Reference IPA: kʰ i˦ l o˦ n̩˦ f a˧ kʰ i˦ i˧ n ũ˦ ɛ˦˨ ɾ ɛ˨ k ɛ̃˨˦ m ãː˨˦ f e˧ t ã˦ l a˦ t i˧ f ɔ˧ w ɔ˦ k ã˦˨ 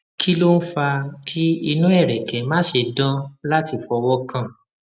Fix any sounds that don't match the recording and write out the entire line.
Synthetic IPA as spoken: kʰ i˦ l o˦ n̩˦ f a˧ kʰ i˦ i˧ n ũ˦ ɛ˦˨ ɾ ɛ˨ k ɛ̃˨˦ m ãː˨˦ ʃ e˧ d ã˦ l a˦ t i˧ f ɔ˧ w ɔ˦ k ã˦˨